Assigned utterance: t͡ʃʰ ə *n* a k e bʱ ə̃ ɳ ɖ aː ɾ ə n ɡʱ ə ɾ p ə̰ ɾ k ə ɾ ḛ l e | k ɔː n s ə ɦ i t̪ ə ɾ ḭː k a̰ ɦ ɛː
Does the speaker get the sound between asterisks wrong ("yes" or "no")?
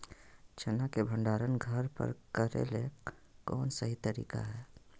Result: no